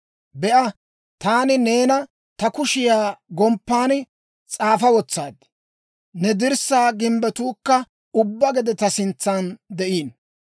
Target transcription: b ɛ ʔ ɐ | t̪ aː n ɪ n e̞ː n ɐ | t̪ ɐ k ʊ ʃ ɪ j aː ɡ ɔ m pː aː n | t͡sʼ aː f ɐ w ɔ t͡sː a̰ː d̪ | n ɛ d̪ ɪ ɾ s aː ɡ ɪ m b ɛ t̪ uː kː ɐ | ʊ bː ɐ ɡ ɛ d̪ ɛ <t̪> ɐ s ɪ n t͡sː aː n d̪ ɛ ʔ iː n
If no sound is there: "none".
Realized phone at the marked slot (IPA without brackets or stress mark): t̪